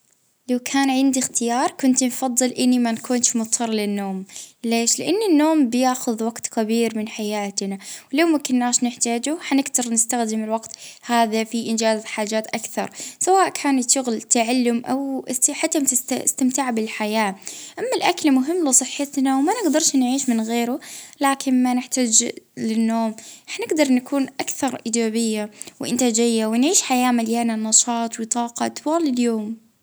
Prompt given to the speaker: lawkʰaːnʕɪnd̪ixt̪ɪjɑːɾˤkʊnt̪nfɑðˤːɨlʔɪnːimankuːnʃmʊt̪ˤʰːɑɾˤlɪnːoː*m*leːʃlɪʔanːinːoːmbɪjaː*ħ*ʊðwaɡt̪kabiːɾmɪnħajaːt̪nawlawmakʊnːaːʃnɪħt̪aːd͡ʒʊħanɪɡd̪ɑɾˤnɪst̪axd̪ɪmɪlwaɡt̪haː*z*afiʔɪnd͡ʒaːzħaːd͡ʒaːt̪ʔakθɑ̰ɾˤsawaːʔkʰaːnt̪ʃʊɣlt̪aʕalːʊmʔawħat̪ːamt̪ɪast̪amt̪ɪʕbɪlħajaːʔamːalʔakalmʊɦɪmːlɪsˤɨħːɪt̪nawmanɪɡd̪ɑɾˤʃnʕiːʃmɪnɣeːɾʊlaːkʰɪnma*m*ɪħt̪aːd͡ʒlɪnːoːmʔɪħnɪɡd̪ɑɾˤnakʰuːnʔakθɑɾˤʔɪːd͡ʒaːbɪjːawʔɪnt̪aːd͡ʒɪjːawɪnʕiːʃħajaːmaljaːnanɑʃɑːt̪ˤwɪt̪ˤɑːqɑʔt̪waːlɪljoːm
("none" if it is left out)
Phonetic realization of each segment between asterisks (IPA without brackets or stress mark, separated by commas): m, x, ð, n